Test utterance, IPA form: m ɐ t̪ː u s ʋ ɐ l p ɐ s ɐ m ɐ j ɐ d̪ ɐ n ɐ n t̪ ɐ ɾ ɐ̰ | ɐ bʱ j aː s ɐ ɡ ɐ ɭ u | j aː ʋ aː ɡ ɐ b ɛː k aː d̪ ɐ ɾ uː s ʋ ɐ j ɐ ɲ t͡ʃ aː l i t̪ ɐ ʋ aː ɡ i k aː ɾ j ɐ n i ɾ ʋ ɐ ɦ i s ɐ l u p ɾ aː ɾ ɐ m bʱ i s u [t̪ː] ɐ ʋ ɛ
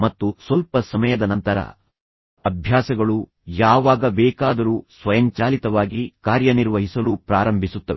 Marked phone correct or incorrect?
correct